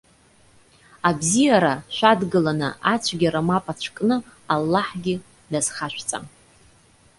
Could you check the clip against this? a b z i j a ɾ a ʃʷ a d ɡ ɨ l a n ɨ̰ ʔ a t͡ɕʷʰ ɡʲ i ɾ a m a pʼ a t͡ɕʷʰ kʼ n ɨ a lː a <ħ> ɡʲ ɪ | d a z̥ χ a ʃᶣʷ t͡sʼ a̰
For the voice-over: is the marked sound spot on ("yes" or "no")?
yes